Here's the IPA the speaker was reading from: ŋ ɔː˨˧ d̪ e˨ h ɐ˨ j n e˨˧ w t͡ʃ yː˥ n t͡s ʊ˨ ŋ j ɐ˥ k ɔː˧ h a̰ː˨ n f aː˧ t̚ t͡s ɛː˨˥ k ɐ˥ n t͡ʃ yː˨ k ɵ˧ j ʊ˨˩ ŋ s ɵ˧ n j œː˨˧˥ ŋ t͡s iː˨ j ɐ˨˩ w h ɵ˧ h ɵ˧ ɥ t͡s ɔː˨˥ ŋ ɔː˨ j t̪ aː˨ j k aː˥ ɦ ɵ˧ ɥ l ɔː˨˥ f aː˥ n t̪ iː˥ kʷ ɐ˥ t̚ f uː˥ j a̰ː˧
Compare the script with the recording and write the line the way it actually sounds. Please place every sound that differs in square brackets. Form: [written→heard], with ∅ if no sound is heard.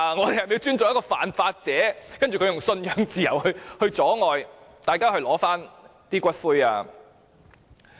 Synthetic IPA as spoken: ŋ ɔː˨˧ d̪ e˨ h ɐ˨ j [n→m] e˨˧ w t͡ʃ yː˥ n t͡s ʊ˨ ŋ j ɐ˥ k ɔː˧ [h→f] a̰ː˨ n f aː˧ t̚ t͡s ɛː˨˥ k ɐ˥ n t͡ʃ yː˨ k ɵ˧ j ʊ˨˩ ŋ s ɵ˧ n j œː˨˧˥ ŋ t͡s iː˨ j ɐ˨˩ w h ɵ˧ h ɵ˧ ɥ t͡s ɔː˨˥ ŋ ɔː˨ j t̪ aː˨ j k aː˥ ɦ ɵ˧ ɥ l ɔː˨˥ f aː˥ n t̪ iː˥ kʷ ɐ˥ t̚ f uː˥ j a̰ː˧